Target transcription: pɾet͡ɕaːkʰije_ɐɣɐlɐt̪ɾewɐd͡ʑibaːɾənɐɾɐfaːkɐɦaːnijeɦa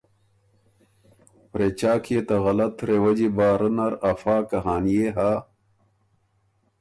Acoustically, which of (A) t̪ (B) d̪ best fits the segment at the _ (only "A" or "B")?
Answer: A